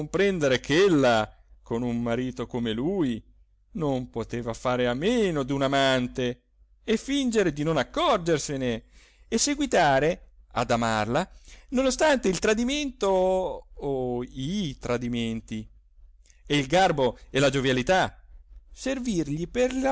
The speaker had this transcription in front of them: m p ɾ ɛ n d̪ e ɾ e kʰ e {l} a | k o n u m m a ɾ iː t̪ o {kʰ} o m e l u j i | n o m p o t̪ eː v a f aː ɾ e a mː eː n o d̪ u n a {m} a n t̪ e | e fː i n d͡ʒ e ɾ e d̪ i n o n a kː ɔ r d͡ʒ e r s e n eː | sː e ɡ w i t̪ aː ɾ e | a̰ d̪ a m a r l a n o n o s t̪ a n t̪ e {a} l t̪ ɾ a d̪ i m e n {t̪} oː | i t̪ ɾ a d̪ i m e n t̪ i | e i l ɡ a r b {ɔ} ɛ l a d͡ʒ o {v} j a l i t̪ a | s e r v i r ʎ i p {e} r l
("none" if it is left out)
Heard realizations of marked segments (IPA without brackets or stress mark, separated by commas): lː, k, m, i, t̪, o, v, e